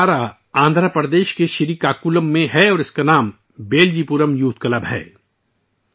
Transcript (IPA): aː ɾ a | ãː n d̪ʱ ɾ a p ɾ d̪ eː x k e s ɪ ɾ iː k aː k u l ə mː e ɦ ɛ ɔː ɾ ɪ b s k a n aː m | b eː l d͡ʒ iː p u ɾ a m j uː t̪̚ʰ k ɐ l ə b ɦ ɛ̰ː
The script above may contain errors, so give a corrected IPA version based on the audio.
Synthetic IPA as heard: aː ɾ a | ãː n d̪ʱ ɾ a p ɾ d̪ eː ʃ k e ʃ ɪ ɾ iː k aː k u l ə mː ẽ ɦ ɛ ɔː ɾ ɪ s k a n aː m | b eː l d͡ʒ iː p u ɾ ə m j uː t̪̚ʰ k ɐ l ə b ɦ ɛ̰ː